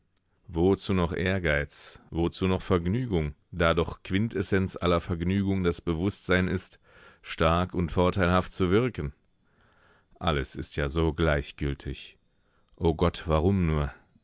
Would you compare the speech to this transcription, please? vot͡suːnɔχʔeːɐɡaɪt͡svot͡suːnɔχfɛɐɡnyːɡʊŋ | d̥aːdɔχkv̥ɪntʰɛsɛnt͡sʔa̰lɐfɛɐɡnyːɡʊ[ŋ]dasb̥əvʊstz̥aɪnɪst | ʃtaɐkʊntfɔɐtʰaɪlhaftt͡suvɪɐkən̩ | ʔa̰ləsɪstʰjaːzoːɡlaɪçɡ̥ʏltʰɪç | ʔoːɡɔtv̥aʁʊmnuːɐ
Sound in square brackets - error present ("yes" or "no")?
no